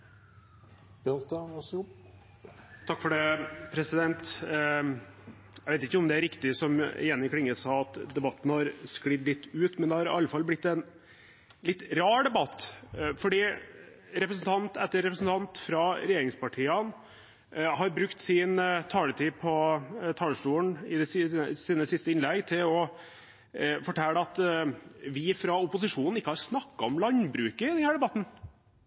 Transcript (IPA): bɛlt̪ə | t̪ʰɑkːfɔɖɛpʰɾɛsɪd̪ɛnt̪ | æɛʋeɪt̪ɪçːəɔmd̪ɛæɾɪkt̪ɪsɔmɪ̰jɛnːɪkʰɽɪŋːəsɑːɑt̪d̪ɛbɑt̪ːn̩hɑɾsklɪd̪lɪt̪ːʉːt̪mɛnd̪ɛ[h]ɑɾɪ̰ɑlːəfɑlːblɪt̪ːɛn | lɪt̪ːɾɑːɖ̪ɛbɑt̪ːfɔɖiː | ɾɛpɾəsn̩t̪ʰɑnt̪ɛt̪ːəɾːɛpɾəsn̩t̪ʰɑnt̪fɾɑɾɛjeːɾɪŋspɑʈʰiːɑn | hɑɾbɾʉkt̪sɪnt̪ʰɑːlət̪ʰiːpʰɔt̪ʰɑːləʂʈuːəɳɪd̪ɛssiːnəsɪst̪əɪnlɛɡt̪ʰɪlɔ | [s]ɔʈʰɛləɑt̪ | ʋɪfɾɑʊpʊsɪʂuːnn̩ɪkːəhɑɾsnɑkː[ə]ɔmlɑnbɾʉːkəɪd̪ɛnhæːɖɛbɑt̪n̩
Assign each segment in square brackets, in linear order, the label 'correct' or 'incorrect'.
correct, incorrect: f, incorrect: ɑ

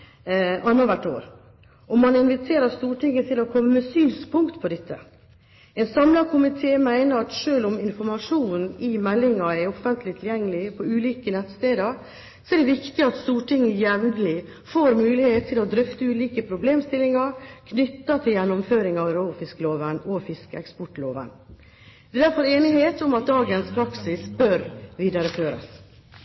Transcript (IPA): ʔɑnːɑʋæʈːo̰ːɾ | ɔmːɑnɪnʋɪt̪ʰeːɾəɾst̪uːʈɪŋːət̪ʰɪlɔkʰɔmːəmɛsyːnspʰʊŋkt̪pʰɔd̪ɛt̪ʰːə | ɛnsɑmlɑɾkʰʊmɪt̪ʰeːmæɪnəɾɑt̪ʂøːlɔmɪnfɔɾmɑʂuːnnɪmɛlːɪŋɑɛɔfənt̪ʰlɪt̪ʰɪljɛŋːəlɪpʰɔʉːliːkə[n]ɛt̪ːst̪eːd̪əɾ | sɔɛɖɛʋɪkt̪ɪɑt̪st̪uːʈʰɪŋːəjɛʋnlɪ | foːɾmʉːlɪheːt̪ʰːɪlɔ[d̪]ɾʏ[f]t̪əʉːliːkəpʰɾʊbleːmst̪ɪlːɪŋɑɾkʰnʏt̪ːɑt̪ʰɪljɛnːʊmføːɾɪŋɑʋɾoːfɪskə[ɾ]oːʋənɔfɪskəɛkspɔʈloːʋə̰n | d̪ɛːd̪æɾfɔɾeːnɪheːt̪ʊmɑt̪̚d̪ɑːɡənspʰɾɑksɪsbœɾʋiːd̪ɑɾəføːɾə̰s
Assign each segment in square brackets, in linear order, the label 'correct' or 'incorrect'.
correct, correct, correct, incorrect: l

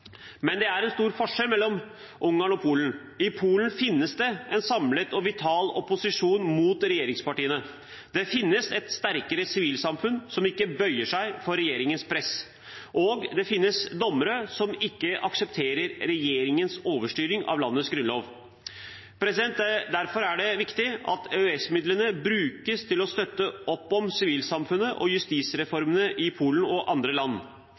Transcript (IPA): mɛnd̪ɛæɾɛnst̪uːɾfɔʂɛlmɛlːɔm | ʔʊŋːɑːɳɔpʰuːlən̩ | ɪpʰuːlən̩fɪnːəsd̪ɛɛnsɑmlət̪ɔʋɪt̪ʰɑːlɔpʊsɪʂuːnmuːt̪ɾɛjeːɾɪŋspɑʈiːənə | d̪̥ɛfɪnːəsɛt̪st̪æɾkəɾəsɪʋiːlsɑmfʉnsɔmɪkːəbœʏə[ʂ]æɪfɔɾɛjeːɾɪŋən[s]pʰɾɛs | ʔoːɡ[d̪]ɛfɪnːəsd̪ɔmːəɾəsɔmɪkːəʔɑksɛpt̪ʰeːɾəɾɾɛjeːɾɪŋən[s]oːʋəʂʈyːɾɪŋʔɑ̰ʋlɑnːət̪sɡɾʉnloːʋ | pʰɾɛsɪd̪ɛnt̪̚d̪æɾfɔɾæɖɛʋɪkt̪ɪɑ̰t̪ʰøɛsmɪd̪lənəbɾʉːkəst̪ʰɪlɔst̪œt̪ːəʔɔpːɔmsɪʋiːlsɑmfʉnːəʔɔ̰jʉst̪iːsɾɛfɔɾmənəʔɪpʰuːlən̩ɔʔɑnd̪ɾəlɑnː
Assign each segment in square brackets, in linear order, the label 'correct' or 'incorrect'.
correct, correct, correct, correct

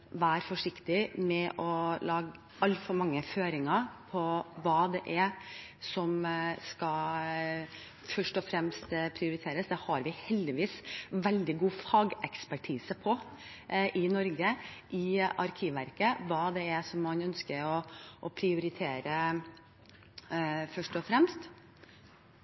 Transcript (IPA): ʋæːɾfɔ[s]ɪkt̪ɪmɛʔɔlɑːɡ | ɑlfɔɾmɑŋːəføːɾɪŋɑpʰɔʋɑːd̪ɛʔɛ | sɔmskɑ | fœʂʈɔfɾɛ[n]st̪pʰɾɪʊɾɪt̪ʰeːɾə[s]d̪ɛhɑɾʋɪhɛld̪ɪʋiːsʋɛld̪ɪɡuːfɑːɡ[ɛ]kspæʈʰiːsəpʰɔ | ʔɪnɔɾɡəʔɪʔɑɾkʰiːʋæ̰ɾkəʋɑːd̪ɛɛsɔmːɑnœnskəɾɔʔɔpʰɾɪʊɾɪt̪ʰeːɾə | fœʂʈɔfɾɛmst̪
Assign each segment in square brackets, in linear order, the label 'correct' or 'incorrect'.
incorrect: ʂ, incorrect: m, correct, correct

